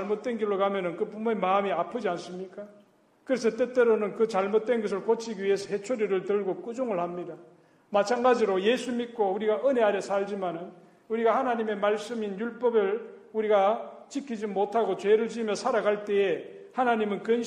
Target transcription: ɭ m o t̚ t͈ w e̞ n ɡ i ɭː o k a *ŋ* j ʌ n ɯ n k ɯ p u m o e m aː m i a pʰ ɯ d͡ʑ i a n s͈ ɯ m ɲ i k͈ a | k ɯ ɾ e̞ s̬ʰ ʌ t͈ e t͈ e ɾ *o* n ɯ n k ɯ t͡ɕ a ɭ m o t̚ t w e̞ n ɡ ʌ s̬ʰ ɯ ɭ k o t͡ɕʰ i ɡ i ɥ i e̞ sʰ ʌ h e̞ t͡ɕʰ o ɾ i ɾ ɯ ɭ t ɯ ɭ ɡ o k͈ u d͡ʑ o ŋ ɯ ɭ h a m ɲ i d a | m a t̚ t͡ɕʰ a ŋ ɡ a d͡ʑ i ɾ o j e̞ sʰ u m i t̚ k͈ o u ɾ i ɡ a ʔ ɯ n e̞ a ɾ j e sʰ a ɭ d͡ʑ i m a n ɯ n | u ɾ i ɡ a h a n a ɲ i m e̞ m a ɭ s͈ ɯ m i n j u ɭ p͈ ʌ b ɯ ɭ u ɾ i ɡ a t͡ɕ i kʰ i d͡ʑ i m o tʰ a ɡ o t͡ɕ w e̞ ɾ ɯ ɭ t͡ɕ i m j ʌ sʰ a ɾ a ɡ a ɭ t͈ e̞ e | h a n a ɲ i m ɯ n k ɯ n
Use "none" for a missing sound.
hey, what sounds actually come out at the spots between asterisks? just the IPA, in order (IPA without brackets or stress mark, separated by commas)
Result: m, o